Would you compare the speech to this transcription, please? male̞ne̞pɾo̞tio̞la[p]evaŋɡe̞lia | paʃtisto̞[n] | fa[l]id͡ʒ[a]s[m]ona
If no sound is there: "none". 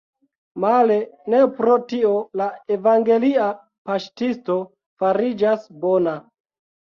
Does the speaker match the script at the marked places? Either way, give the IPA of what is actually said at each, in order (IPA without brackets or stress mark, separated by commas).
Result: none, none, ɾ, a, b